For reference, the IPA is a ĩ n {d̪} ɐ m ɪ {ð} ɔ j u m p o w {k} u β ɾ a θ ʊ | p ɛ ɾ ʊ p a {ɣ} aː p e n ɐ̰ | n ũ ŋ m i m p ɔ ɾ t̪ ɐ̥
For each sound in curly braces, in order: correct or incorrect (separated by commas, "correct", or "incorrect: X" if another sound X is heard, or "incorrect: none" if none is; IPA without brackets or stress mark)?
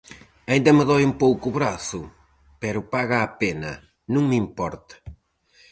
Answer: correct, correct, correct, correct